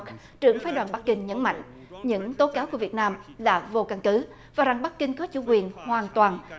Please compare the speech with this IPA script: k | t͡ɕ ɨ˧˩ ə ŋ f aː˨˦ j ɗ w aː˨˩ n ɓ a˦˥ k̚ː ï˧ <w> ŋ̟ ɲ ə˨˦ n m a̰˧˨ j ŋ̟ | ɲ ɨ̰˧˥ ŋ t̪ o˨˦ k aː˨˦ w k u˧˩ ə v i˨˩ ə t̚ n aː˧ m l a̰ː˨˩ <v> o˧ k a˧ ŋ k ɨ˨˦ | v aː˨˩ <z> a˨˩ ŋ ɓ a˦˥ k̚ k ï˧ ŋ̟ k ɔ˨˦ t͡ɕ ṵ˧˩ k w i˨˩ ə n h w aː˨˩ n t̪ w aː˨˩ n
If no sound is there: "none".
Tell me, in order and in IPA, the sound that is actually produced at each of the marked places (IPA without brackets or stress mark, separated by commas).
none, v, z